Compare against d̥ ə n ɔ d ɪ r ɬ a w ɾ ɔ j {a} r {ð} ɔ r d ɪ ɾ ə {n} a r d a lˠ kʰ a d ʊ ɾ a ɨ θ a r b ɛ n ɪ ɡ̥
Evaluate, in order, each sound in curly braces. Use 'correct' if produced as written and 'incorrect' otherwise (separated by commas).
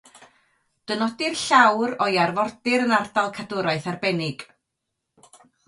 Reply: correct, incorrect, correct